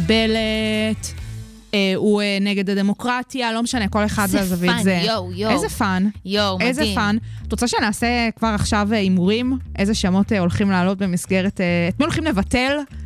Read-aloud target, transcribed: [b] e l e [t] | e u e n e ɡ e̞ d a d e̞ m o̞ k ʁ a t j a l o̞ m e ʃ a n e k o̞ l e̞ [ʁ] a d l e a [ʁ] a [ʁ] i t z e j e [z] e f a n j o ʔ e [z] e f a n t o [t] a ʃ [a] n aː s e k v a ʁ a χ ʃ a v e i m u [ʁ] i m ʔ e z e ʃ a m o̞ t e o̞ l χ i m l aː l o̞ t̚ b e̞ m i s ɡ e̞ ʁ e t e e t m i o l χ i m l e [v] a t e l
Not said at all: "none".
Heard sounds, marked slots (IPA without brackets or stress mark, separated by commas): b, t, χ, z, v, z, z, t͡s, e, ʁ, v